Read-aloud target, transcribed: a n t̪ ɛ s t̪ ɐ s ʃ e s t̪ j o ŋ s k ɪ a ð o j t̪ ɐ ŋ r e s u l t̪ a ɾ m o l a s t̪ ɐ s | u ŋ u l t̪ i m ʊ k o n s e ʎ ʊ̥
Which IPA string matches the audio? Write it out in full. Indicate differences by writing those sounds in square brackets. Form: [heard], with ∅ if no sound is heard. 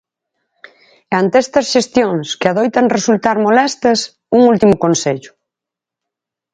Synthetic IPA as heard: a n t̪ ɛ s t̪ ɐ s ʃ e s t̪ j o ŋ s k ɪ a ð o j t̪ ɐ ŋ r e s u l t̪ a ɾ m o l [ɛ] s t̪ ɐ s | u ŋ u l t̪ i m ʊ k o n s e ʎ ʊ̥